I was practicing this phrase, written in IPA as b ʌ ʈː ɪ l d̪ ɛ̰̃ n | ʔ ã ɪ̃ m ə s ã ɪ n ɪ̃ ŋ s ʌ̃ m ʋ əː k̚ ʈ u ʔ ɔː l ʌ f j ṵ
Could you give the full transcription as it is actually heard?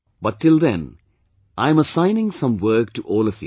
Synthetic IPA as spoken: b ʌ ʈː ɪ l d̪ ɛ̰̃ n | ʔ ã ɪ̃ m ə s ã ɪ n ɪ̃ ŋ s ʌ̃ m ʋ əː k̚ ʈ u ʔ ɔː l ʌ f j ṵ